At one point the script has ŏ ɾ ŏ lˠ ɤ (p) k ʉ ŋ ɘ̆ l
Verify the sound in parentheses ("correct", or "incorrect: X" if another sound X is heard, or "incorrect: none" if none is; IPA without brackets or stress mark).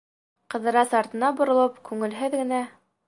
correct